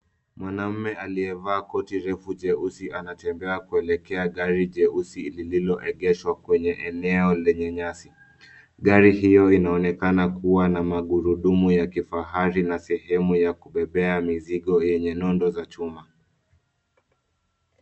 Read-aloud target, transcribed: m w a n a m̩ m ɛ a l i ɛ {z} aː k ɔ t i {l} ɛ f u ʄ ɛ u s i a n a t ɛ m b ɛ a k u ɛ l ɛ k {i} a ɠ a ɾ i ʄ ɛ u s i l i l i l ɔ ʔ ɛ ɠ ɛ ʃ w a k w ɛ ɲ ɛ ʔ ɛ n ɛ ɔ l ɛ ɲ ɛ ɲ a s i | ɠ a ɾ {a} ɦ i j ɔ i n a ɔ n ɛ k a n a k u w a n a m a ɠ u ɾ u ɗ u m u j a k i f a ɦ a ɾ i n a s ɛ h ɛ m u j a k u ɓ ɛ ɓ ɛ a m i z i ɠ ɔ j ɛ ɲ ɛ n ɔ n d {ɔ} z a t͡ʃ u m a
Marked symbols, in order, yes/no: no, no, no, no, yes

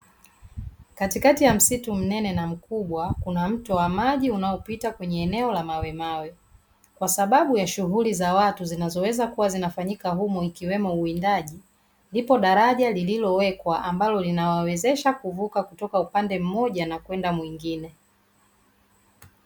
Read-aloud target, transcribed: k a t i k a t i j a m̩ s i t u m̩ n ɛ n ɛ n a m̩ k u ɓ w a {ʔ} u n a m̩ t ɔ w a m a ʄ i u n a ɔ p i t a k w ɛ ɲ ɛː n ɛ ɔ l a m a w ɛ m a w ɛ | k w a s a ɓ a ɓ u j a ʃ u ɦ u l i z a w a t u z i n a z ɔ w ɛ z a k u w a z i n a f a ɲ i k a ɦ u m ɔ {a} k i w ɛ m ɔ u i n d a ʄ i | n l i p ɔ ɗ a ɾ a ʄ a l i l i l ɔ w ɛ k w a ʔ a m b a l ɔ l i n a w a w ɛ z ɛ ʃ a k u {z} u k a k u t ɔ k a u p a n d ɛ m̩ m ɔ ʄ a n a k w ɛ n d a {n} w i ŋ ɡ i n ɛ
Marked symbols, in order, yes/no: no, no, no, no

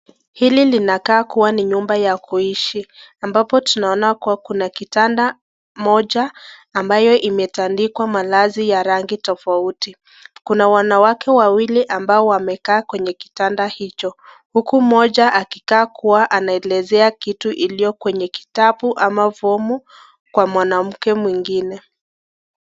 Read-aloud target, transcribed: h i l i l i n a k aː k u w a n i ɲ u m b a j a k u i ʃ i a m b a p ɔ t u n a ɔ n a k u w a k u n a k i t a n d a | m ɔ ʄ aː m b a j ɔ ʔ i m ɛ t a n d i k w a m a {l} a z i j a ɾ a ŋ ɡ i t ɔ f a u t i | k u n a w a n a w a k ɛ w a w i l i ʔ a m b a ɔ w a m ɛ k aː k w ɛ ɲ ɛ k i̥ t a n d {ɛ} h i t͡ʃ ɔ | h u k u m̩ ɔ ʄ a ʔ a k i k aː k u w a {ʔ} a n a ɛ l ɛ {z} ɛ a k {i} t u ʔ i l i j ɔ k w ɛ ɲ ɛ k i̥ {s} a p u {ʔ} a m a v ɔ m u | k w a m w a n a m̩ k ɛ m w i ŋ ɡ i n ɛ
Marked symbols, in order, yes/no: yes, no, yes, yes, yes, no, yes

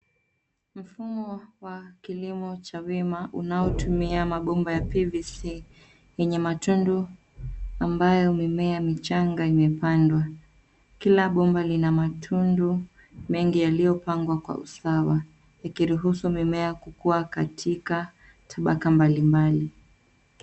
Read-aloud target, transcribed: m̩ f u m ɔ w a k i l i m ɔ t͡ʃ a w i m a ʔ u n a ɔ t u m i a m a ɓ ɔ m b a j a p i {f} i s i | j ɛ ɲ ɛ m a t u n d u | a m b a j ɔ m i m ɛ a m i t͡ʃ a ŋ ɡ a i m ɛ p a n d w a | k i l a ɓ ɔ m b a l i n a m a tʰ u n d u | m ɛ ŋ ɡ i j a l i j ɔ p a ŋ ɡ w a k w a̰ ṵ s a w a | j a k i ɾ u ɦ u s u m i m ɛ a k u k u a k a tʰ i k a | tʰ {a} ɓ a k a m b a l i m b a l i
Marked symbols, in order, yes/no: no, yes

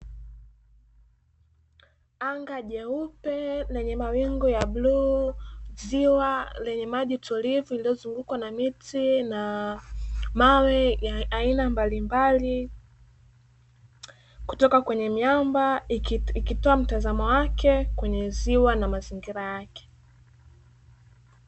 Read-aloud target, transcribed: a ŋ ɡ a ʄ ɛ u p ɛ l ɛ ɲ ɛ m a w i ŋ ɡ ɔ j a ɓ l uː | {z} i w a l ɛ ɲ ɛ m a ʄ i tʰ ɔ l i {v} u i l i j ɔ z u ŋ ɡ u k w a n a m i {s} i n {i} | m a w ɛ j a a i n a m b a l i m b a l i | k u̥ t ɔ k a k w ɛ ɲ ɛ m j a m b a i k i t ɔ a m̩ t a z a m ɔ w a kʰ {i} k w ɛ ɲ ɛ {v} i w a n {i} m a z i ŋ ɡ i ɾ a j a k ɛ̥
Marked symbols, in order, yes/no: yes, yes, no, no, no, no, no

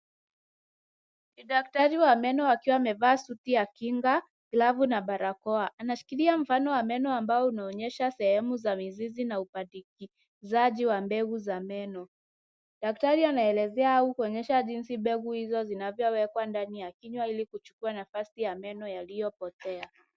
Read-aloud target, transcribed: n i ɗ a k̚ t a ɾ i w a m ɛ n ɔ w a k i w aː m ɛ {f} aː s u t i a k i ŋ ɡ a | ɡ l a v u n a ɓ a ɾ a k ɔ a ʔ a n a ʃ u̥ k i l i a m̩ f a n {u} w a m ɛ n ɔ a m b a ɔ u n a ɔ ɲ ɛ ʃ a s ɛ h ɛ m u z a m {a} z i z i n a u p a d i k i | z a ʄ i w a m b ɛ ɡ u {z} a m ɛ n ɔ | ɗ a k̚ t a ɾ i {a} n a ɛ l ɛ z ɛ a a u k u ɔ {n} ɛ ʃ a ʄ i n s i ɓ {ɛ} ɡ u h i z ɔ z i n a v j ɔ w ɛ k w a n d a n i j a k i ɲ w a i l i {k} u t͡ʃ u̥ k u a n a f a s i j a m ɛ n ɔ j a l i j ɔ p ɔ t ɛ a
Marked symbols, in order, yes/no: no, no, no, yes, yes, no, yes, yes

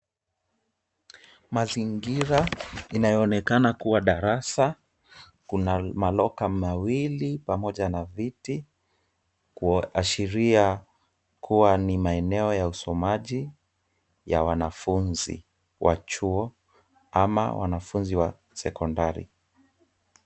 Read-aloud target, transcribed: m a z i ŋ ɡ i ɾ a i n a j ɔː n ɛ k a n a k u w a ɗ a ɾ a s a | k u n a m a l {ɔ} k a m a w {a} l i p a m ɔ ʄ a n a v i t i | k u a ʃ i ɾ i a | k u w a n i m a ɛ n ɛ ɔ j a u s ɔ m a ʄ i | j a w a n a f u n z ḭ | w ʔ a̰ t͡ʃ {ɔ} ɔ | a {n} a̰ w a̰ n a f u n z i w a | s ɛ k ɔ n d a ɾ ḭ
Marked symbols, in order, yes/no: yes, no, no, no

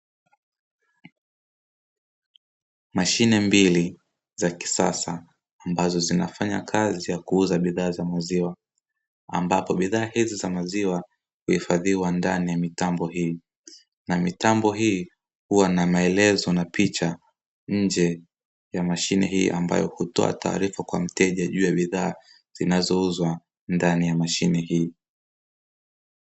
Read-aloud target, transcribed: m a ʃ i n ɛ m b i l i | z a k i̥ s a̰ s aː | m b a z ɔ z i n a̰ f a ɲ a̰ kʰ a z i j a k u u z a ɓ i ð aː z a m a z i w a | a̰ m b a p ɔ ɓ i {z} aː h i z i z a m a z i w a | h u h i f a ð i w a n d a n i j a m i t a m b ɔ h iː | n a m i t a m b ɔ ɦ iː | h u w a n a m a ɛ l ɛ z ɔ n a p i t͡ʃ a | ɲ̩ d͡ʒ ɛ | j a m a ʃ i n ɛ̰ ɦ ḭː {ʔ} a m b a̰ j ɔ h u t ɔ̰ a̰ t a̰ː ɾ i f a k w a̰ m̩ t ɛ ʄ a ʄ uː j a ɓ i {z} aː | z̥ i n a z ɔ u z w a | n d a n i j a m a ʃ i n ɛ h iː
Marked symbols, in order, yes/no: no, yes, no

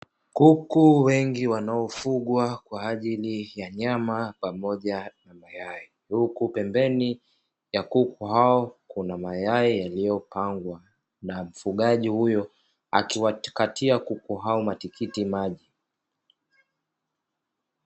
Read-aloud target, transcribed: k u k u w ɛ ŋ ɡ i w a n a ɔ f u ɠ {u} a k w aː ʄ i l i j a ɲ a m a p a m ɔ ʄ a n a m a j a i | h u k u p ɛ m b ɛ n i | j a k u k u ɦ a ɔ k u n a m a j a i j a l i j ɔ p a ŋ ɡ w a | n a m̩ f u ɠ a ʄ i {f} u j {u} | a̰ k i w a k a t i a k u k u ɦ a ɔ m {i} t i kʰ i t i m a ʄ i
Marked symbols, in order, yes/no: no, no, no, no

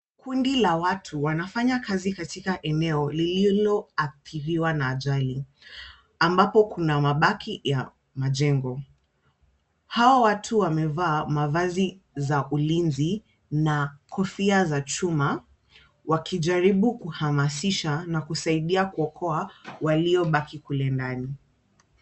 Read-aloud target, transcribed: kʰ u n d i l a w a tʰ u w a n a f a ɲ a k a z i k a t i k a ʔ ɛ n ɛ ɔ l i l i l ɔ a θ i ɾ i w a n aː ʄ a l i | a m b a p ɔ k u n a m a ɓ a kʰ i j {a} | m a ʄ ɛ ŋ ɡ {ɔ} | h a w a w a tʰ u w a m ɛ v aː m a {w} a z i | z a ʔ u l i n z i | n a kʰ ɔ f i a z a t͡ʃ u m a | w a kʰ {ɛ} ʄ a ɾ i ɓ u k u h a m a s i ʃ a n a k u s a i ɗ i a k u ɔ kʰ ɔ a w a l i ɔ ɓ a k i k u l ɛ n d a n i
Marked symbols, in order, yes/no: yes, yes, no, no

